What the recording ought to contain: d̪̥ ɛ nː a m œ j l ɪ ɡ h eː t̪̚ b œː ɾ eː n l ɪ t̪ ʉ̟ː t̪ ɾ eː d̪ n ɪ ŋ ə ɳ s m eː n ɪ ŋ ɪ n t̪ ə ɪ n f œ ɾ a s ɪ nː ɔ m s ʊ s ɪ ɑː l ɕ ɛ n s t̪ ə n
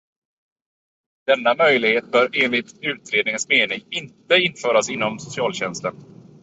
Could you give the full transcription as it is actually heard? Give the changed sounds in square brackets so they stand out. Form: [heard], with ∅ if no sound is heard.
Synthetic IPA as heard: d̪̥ ɛ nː a m œ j l ɪ ɡ h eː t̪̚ b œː ɾ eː n l ɪ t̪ ʉ̟ː t̪ ɾ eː d̪ n ɪ ŋ ə [n] s m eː n ɪ ŋ ɪ n t̪ ə ɪ n f [œː] ɾ a s ɪ nː ɔ m s ʊ s ɪ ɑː l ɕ ɛ n s t̪ ə n